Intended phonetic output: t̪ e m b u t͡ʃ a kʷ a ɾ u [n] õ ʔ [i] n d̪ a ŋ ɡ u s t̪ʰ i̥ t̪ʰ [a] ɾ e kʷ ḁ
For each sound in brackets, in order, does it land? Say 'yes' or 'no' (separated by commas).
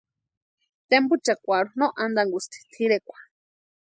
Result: yes, no, no